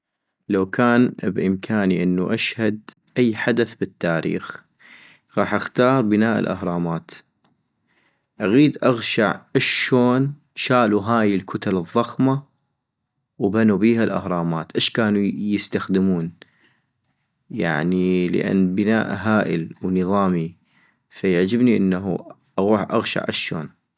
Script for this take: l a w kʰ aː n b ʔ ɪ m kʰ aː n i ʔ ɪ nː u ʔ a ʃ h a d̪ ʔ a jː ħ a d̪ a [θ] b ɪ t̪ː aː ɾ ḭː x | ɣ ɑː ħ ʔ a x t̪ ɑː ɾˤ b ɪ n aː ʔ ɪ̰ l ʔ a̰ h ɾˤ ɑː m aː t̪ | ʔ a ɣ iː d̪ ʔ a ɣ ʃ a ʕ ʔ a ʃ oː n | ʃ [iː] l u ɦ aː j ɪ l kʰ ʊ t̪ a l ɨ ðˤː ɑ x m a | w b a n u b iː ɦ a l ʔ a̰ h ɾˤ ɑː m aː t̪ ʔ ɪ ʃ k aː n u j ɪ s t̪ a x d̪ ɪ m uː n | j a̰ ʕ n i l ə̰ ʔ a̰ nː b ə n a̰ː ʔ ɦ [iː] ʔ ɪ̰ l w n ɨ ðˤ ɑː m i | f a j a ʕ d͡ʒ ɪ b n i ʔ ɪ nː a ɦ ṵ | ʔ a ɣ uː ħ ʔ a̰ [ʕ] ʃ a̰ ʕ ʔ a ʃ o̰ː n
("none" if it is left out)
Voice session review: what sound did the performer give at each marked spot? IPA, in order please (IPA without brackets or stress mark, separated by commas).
θ, aː, aː, ɣ